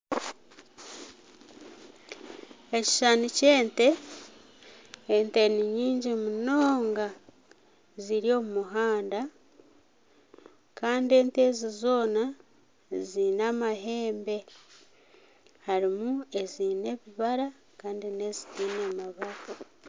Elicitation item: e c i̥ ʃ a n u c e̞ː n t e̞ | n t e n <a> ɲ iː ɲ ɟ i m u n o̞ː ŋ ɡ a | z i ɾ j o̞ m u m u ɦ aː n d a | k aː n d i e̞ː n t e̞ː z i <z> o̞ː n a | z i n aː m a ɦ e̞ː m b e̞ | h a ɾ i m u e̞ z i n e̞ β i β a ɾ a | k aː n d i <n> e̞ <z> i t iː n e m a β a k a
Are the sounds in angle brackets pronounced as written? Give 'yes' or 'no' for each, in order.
no, yes, yes, yes

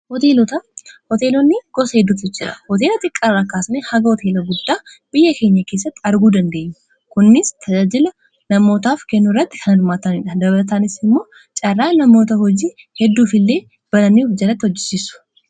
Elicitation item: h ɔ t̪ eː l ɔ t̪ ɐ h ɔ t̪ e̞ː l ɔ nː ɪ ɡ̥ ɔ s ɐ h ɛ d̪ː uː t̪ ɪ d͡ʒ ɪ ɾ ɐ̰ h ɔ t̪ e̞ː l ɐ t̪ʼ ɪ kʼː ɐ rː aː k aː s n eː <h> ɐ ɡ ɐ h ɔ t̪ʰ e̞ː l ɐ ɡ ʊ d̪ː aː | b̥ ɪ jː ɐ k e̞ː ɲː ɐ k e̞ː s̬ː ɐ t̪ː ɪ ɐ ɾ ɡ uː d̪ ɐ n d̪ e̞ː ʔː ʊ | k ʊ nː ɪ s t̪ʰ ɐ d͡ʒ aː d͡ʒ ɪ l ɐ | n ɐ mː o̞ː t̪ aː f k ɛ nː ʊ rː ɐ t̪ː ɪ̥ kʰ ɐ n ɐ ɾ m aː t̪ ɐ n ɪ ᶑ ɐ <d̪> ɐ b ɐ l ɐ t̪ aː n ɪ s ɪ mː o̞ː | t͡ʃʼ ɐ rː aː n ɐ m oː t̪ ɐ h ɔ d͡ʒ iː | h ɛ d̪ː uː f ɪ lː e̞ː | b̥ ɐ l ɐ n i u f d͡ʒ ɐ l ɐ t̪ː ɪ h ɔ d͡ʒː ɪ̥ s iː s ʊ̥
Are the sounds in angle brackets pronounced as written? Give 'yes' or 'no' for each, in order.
yes, yes

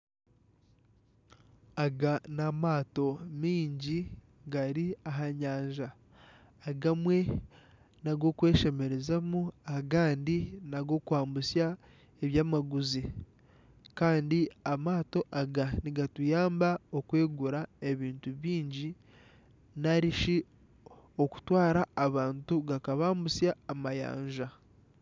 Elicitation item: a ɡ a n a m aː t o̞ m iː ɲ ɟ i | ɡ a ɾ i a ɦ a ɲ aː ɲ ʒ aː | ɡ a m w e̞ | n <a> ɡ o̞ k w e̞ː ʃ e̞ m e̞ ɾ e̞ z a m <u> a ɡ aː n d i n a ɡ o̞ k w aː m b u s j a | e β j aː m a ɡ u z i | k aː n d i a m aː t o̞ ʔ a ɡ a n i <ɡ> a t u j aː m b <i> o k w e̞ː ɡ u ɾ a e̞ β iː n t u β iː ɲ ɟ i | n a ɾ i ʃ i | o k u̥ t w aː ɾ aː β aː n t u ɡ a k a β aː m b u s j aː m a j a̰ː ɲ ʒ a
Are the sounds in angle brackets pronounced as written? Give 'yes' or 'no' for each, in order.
yes, yes, yes, no

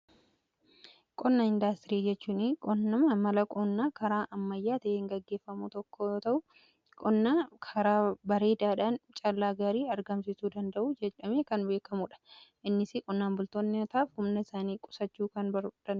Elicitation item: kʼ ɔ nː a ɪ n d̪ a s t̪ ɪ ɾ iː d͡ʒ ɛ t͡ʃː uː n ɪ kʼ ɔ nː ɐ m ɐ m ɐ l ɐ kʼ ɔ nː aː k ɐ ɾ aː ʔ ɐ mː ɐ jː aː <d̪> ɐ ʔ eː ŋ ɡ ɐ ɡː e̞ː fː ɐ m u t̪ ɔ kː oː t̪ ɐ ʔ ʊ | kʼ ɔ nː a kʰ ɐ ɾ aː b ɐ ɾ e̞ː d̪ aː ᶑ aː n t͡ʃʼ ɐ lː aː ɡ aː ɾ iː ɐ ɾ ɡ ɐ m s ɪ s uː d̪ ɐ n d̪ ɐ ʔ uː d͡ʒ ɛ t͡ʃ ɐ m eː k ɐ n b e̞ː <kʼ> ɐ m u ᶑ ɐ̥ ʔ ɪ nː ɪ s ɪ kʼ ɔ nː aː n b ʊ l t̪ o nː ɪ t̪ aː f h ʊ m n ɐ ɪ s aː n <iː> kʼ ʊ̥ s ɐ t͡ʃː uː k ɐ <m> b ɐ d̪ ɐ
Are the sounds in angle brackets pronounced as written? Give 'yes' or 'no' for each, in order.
no, no, yes, no

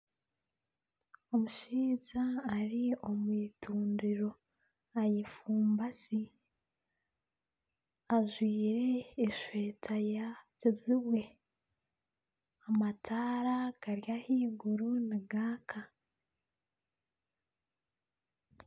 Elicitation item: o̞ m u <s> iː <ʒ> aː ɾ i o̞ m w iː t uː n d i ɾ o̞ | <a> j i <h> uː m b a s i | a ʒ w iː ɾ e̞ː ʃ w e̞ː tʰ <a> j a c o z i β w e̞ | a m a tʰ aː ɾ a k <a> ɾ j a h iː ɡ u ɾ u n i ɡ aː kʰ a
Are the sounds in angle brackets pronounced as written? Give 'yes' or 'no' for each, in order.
no, no, yes, no, yes, yes

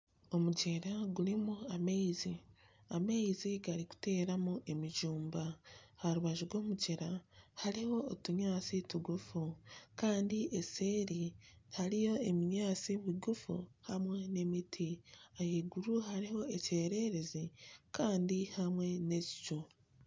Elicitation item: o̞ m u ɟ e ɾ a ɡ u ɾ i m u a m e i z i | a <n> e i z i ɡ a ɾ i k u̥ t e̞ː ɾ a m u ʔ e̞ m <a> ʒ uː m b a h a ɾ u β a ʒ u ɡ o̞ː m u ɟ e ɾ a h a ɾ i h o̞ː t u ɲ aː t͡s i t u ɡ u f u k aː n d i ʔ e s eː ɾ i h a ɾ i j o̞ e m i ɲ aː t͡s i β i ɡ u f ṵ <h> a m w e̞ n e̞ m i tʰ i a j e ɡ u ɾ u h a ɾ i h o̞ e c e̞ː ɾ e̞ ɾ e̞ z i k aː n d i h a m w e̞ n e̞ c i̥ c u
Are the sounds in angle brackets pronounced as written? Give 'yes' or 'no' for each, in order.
no, no, yes

